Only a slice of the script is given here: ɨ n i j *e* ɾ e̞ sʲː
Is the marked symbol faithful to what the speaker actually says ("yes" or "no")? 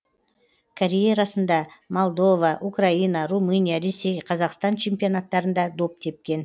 no